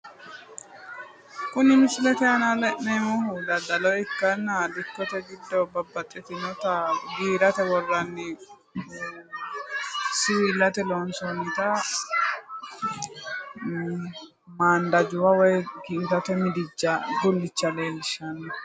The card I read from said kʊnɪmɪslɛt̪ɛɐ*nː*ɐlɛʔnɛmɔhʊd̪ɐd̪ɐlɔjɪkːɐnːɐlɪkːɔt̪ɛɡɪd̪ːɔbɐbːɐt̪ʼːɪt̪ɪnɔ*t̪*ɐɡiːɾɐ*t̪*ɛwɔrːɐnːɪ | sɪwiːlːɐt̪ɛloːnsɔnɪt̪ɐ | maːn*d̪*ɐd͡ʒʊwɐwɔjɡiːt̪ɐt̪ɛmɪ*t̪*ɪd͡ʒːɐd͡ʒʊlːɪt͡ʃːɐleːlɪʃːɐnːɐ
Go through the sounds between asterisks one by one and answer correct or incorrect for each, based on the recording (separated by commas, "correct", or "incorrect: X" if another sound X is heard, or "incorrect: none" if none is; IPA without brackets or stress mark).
incorrect: n, correct, correct, correct, incorrect: d̪